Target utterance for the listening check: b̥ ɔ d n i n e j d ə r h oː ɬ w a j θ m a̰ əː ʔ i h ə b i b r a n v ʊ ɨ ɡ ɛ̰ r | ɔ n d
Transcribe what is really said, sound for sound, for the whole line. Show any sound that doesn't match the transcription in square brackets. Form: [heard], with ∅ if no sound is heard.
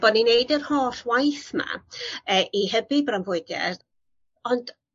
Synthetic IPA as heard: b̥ ɔ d n i n e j d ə r h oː ɬ w a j θ m a̰ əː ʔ i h ə b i b r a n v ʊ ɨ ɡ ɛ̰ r | ɔ n d